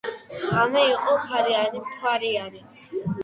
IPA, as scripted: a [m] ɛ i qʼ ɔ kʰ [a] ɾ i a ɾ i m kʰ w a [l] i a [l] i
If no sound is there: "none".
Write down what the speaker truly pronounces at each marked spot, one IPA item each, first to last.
m, a, ɾ, ɾ

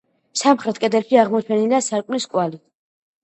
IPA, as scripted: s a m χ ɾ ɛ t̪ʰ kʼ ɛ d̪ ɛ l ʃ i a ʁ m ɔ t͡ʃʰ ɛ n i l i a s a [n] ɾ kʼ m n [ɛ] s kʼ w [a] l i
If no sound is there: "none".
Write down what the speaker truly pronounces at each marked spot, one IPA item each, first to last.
none, i, a

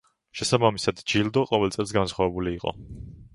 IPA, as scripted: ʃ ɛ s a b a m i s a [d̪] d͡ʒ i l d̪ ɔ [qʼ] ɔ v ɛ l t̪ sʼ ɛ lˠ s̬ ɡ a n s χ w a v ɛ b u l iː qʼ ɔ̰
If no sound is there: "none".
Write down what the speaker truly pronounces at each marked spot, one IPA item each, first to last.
d̪, qʼ

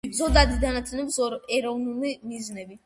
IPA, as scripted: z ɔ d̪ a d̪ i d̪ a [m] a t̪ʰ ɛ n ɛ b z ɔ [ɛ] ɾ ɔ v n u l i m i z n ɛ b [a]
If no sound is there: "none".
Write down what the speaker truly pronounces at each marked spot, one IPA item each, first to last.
n, ɛ, i

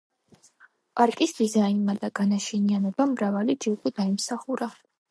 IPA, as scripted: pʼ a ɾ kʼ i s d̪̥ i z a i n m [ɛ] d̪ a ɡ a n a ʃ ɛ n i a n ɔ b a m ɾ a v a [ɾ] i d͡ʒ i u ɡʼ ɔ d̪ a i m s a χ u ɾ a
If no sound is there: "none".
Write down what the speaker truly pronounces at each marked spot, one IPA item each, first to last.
a, l

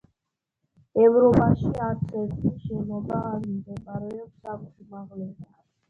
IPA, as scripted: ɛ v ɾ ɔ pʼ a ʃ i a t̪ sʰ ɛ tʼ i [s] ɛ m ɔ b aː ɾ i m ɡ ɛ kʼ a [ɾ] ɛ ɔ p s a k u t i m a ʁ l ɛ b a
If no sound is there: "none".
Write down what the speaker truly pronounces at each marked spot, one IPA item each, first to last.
ʃ, ɾ

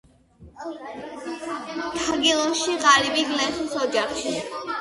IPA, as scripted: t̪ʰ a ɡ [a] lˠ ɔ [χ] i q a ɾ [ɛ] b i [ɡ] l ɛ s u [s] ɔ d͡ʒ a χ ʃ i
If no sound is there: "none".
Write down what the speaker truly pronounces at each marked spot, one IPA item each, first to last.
i, ʃ, i, ɡ, s

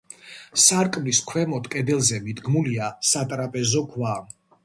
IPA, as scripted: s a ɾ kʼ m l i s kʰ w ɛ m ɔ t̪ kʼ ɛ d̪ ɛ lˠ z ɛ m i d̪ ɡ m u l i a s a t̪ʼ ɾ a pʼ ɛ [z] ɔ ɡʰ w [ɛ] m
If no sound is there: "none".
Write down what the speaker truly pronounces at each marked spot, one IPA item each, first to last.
z, a

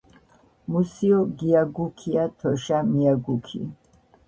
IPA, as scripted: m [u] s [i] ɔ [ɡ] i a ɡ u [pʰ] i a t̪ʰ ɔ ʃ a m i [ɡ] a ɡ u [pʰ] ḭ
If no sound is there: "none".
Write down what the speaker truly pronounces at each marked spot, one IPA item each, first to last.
u, i, ɡ, kʰ, none, kʰ

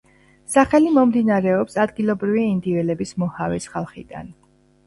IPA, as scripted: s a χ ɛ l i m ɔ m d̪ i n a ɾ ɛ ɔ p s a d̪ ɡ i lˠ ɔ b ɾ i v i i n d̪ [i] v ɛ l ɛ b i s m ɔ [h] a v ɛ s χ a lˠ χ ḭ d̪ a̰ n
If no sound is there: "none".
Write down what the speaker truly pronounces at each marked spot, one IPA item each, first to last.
i, h

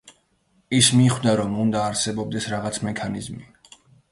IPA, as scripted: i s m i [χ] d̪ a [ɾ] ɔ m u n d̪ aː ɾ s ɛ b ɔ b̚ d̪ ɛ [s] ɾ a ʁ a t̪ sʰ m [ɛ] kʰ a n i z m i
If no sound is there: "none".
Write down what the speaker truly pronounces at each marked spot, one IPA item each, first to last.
χ, ɾ, s, ɛ

